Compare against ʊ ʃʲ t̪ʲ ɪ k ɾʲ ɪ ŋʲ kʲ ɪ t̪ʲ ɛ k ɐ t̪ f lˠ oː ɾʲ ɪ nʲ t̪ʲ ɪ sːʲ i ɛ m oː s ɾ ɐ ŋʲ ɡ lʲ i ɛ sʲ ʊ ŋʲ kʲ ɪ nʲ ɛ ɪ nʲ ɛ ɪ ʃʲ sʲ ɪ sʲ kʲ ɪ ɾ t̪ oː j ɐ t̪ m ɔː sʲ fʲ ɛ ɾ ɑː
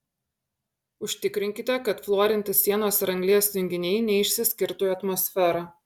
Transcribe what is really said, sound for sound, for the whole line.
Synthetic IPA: ʊ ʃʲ t̪ʲ ɪ k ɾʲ ɪ ŋʲ kʲ ɪ t̪ʲ ɛ k ɐ t̪ f lˠ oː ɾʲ ɪ nʲ t̪ʲ ɪ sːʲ i ɛ n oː s ɾ ɐ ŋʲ ɡ lʲ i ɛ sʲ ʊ ŋʲ ɡʲ ɪ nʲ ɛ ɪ nʲ ɛ ɪ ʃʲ sʲ ɪ sʲ kʲ ɪ ɾ t̪ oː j ɐ t̪ m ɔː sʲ fʲ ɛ ɾ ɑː